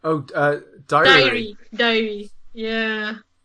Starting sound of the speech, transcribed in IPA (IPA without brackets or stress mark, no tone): o